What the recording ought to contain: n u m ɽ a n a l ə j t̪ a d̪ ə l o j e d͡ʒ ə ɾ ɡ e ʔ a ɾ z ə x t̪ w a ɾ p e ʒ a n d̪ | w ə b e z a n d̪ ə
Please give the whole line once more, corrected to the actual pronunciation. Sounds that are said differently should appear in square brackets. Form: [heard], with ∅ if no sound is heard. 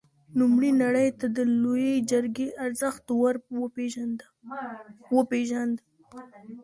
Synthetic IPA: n u m ɽ [i] n a [ɽ] ə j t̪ a d̪ ə l o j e d͡ʒ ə ɾ ɡ e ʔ a ɾ z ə x t̪ w a ɾ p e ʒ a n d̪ | w ə [p] e [ʒ] a n d̪ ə